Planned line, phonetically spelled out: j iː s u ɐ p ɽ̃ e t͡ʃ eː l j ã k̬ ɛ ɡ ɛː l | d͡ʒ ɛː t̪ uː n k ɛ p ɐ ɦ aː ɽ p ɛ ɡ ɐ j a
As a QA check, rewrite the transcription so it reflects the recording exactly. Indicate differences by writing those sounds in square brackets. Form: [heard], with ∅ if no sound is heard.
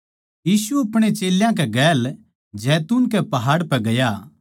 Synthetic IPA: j iː s u ɐ p ɽ̃ e t͡ʃ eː l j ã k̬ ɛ ɡ ɛː l | d͡ʒ ɛː t̪ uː n k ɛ p ɐ ɦ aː ɽ p ɛ ɡ ɐ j a